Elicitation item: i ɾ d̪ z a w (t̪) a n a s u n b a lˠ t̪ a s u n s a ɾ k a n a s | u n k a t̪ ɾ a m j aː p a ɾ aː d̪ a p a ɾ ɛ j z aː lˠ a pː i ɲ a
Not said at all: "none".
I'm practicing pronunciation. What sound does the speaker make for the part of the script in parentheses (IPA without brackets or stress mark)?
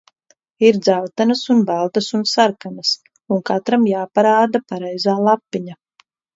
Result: t̪